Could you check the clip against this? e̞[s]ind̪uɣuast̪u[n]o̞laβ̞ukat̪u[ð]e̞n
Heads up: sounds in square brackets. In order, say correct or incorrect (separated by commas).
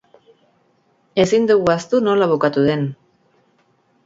correct, correct, correct